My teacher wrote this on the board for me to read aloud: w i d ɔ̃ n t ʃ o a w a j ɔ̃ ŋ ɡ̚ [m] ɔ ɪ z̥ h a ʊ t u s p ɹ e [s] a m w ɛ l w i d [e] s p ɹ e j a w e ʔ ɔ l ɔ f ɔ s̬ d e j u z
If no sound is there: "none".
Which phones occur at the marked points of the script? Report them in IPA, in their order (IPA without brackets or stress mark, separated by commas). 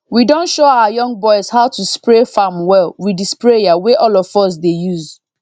b, f, i